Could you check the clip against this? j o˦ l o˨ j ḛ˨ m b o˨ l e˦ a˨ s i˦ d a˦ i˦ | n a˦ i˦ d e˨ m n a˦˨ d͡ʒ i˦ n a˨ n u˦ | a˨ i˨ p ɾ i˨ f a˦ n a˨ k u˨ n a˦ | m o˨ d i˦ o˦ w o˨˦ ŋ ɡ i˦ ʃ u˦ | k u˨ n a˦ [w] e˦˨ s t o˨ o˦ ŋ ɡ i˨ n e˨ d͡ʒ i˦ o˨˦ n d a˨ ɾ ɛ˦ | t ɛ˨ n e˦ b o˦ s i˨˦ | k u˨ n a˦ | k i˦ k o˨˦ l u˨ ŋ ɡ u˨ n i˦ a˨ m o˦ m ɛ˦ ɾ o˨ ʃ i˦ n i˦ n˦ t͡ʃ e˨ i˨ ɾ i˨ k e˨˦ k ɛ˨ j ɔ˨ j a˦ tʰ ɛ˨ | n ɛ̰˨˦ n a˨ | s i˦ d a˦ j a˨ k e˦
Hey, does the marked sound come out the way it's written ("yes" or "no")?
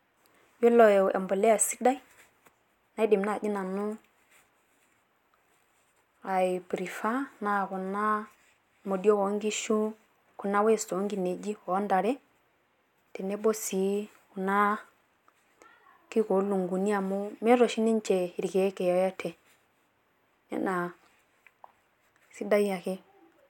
yes